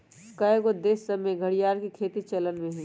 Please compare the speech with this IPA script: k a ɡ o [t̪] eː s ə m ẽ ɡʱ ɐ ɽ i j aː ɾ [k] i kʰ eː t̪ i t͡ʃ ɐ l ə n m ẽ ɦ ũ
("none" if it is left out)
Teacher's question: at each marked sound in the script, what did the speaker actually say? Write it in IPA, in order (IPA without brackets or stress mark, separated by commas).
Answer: d̪, k